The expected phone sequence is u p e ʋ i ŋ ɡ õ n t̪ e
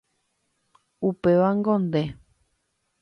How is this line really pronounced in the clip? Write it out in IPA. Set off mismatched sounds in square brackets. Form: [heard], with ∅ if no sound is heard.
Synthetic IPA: u p e ʋ [a] ŋ ɡ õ n [d̪] e